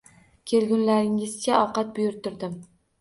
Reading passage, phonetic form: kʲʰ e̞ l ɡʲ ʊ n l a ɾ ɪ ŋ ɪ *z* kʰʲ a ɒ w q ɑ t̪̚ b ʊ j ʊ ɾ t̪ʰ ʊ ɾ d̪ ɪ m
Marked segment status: correct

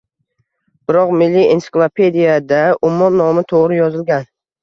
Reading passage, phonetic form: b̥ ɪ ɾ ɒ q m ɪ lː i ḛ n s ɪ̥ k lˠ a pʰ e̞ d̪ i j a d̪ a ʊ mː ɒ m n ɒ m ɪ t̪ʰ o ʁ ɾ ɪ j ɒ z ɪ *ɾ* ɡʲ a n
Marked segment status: incorrect: l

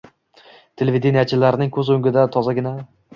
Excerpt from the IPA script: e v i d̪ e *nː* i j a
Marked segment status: incorrect: n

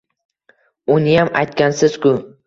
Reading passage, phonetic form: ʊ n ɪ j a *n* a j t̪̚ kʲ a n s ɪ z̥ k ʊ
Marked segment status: incorrect: m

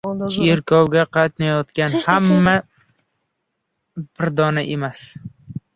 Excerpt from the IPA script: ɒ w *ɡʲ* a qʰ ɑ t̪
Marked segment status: correct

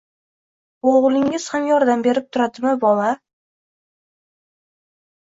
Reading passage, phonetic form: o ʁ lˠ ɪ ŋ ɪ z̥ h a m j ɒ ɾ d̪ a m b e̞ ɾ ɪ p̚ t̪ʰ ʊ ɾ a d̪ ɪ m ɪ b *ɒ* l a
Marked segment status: correct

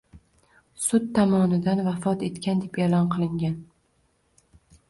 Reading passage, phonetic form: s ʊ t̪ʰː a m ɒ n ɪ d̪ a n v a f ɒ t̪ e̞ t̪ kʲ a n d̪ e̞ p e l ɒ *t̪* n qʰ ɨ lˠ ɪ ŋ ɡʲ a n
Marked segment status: incorrect: none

